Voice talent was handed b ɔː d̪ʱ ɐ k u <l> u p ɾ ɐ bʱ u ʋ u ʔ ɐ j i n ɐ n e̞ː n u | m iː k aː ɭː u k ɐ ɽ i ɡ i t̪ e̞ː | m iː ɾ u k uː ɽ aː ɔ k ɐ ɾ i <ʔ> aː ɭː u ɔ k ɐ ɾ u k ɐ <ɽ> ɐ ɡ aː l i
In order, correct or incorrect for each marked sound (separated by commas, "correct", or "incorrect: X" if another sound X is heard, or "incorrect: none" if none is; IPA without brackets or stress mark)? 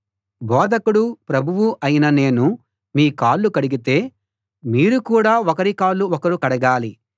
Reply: incorrect: ɽ, incorrect: k, correct